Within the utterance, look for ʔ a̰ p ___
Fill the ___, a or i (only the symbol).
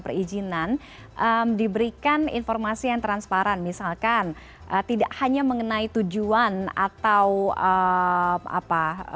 a